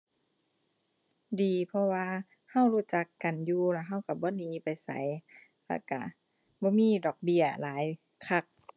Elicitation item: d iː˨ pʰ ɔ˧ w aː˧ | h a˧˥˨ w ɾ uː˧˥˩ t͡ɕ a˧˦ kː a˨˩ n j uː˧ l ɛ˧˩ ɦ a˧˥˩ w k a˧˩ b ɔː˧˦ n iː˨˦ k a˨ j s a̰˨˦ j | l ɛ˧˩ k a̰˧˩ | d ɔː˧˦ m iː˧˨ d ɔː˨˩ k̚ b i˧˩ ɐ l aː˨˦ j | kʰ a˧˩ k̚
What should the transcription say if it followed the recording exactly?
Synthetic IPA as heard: d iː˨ pʰ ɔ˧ w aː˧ | h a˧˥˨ w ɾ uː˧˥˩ t͡ɕ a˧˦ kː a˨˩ n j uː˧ l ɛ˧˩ ɦ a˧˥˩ w k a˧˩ b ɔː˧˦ n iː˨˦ p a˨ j s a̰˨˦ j | l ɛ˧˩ k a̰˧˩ | b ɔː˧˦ m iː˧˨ d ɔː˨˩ k̚ b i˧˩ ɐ l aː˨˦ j | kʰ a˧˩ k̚

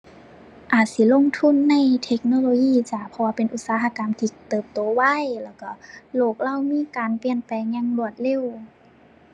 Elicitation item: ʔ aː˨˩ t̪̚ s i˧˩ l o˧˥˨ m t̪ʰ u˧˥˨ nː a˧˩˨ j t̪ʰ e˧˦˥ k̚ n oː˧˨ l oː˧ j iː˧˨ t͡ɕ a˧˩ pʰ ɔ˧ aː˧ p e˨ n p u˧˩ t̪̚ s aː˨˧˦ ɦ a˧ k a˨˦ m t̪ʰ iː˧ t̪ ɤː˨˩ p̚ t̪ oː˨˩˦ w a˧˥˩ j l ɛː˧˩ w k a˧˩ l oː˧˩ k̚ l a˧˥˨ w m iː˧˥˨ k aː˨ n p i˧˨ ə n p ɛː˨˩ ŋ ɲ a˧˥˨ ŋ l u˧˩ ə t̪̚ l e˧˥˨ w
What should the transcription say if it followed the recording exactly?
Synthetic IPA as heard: ʔ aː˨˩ t̪̚ s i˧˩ l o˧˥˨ ŋ t̪ʰ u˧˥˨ nː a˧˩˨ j t̪ʰ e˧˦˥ k̚ n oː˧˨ l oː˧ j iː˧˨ t͡ɕ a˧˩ pʰ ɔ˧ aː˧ p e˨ n ʔ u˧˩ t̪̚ s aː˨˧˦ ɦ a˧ k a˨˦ m t̪ʰ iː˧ t̪ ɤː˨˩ p̚ t̪ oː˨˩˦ w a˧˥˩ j l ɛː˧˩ w k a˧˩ l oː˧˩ k̚ l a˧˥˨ w m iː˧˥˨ k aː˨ n p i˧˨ ə n p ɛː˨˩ ŋ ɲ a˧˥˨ ŋ l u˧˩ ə t̪̚ l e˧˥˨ w

